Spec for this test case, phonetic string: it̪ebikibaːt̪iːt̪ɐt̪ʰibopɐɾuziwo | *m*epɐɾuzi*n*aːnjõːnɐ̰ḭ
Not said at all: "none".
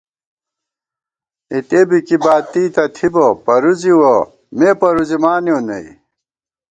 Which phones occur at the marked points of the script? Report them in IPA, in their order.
m, m

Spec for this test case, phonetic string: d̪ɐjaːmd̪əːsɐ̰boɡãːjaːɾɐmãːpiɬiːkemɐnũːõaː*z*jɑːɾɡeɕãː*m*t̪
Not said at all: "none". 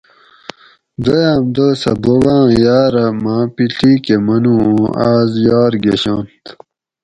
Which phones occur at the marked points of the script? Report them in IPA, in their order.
z, n

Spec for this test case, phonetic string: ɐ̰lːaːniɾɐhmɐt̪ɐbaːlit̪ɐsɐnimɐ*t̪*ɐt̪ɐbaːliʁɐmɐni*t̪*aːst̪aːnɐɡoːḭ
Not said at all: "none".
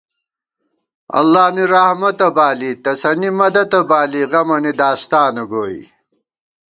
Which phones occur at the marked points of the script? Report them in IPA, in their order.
d̪, d̪

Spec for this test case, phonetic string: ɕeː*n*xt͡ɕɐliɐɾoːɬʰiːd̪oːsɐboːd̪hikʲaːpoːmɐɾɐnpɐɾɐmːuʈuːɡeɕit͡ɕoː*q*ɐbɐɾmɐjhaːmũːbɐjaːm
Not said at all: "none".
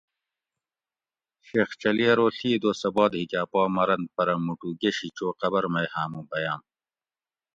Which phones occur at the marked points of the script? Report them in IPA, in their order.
none, q

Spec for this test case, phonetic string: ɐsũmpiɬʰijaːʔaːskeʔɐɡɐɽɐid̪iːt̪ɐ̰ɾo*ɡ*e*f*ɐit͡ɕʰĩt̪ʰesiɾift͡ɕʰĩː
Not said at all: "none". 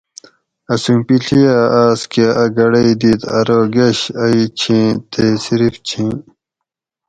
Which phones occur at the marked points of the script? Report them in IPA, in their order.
ɡ, ɕ

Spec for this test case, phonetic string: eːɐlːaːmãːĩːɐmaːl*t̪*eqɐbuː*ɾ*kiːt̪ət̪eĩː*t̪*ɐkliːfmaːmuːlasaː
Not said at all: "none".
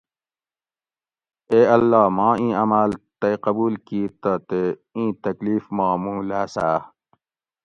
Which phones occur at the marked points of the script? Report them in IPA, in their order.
t̪, l, t̪

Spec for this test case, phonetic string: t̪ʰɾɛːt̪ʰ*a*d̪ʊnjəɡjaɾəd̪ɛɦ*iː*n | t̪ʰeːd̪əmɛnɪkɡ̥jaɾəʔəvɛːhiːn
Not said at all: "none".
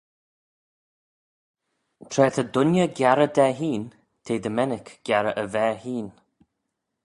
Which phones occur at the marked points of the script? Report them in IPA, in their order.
ə, iː

